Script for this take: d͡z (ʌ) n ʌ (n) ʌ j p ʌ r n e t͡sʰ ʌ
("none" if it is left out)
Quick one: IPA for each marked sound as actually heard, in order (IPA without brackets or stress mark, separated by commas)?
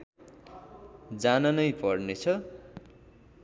a, n